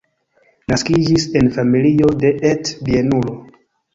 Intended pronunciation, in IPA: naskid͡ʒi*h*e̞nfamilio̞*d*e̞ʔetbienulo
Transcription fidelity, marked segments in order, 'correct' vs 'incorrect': incorrect: s, correct

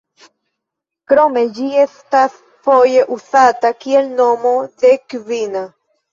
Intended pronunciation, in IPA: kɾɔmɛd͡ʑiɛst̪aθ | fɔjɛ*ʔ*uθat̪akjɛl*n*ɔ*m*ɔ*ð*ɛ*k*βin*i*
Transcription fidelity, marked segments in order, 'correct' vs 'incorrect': correct, correct, correct, correct, correct, incorrect: a

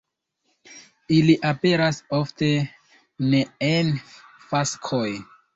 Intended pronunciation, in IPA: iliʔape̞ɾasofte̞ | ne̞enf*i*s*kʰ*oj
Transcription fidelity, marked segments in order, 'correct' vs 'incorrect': incorrect: a, correct

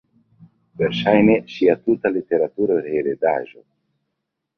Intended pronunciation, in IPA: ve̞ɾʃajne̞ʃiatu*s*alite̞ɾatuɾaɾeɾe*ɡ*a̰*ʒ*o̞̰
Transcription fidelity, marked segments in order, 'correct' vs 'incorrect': incorrect: t, incorrect: d, correct

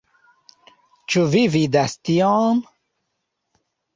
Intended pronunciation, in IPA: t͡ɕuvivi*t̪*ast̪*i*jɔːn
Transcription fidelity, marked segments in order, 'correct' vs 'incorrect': incorrect: d̪, correct

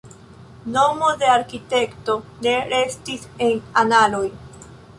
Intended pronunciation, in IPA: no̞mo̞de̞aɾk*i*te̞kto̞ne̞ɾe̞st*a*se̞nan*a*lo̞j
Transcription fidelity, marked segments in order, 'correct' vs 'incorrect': correct, incorrect: i, correct

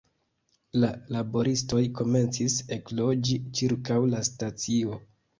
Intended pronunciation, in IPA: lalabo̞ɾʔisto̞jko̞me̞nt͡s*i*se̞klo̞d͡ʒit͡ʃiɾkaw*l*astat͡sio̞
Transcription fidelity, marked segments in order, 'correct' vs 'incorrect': correct, correct

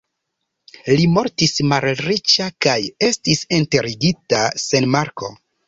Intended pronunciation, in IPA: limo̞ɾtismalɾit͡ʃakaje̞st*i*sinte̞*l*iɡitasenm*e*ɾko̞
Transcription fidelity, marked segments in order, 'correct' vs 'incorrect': correct, incorrect: ɾ, incorrect: a

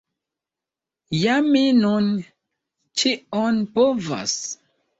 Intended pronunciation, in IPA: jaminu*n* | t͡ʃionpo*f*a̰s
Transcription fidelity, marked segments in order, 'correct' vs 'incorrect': correct, incorrect: v

